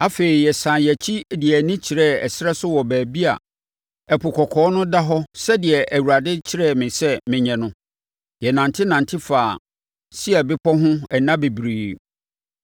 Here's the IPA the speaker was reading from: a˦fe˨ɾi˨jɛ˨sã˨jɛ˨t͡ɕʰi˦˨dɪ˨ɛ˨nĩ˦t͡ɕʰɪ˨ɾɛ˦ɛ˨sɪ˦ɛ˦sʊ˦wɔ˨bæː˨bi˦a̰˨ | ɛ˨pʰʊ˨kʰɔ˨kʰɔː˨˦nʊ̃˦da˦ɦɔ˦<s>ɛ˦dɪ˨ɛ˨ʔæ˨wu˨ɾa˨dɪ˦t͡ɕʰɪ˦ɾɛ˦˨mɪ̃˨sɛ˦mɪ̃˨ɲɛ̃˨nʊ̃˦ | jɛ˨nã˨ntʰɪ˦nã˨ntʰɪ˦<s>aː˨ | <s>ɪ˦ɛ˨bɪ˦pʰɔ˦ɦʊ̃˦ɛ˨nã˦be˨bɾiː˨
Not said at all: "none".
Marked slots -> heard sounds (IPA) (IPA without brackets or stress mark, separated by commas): s, f, s